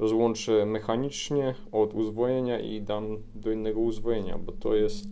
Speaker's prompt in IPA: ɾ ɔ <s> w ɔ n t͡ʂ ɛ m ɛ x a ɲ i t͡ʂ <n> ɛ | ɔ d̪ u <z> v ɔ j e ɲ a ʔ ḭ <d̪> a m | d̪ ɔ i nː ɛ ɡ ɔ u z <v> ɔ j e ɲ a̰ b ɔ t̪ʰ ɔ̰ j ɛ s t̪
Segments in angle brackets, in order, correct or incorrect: incorrect, incorrect, correct, correct, correct

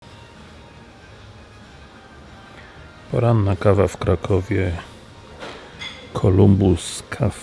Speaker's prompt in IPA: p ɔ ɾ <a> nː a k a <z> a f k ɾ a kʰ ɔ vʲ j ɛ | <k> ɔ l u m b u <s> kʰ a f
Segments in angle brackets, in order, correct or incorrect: correct, incorrect, incorrect, correct

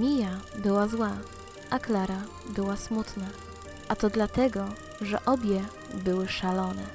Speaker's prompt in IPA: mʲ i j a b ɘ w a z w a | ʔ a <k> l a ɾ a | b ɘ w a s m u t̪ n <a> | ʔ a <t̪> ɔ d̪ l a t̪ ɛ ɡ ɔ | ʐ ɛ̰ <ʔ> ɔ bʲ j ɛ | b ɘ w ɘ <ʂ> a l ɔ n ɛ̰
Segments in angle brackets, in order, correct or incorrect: correct, correct, correct, correct, correct

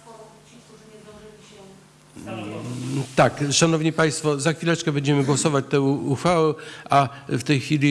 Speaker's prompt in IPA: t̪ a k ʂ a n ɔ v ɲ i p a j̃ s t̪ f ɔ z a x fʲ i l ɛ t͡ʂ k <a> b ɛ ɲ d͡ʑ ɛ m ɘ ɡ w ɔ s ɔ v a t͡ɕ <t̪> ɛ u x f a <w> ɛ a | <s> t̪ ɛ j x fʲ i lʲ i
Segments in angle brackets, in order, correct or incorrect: incorrect, correct, correct, incorrect

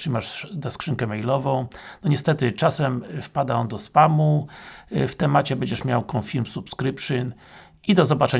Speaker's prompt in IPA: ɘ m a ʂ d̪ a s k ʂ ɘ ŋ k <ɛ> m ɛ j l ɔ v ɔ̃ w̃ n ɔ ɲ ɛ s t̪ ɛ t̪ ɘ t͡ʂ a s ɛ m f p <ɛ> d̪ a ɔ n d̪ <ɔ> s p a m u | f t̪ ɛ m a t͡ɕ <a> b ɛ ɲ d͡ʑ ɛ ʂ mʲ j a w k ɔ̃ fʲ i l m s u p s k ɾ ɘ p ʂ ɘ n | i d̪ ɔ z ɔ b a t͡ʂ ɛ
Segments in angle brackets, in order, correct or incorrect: correct, incorrect, correct, incorrect

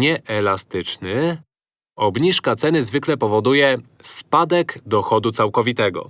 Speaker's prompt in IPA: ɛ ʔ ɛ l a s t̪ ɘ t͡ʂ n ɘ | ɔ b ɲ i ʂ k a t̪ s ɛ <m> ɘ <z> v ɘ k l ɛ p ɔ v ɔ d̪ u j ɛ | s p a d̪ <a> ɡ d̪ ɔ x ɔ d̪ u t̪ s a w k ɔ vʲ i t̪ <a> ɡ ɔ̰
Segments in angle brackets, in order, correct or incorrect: incorrect, correct, incorrect, incorrect

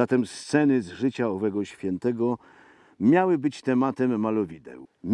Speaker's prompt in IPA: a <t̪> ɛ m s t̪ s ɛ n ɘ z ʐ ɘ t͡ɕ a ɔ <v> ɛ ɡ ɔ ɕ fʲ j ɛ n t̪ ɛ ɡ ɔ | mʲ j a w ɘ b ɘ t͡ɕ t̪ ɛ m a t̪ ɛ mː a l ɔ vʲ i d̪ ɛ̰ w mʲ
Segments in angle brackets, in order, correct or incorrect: correct, correct

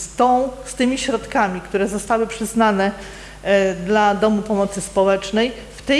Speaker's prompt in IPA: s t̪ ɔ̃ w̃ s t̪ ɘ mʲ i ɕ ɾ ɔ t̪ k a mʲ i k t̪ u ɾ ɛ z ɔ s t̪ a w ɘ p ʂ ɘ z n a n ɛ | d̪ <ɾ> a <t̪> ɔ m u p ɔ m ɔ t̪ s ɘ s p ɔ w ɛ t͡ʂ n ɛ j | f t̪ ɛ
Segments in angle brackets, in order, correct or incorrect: incorrect, incorrect

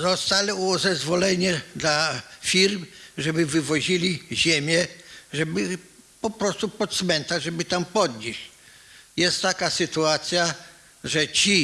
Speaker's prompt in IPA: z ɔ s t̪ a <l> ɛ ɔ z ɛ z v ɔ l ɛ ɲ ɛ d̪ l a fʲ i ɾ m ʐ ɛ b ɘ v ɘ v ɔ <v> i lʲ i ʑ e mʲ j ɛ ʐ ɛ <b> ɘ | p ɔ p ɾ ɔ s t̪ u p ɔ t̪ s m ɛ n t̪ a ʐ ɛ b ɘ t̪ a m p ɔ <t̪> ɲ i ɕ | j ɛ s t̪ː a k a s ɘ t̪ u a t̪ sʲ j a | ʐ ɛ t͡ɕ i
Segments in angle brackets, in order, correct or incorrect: correct, incorrect, correct, incorrect

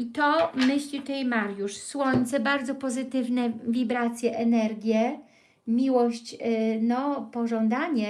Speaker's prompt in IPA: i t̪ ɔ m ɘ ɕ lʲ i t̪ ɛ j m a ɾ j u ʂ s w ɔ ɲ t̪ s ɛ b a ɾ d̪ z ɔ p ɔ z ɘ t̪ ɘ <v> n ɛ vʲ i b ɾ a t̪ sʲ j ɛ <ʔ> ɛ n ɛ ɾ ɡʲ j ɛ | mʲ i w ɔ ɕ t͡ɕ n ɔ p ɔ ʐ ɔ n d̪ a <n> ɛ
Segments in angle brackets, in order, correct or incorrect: correct, correct, incorrect

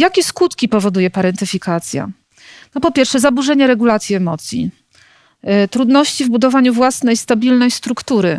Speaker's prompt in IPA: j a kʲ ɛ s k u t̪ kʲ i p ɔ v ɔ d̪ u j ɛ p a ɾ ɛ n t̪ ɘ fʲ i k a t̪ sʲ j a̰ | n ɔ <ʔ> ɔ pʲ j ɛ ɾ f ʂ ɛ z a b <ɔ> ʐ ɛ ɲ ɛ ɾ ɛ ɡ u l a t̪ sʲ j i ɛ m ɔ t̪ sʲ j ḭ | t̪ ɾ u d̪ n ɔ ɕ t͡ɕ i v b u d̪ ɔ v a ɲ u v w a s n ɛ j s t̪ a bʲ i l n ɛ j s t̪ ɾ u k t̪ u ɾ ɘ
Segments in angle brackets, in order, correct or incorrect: incorrect, incorrect

